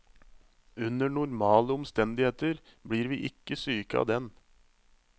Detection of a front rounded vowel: present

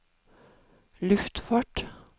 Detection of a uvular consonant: absent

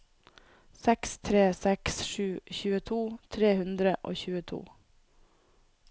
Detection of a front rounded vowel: absent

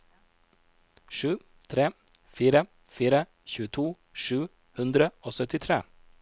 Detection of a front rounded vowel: present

